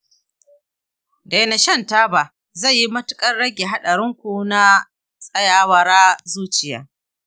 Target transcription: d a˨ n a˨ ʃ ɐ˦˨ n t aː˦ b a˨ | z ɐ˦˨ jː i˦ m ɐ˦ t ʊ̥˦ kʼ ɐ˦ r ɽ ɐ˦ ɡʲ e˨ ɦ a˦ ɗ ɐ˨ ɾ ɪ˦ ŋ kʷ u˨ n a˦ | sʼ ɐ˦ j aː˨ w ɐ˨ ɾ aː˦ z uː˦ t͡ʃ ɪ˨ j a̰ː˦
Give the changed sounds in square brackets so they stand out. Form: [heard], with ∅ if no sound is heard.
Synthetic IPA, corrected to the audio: d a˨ n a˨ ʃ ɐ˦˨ n t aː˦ b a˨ | z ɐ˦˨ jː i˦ m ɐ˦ t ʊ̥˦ kʼ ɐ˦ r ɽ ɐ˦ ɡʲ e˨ ɦ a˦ ɗ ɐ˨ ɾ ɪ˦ ŋ kʷ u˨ n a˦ | sʼ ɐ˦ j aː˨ w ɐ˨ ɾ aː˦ z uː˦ t͡ʃ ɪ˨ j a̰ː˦